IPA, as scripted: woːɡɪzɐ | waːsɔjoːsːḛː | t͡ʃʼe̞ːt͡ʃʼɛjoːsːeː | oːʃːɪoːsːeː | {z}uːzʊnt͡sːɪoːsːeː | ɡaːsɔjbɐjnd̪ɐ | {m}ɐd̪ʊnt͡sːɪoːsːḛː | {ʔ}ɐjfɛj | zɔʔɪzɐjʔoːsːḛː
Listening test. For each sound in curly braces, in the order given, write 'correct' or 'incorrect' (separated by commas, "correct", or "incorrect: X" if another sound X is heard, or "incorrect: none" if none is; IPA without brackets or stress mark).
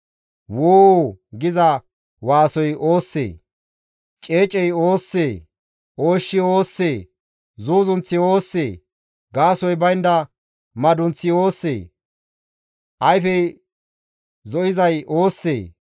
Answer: correct, correct, correct